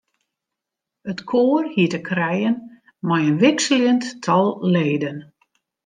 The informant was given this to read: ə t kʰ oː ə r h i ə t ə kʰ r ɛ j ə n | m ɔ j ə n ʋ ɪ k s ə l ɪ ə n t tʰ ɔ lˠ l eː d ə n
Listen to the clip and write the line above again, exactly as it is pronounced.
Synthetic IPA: ə t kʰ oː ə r h i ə t ə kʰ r ɛ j ə n | m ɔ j ə n ʋ ɪ k s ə l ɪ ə n t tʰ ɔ lˠ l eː d ə n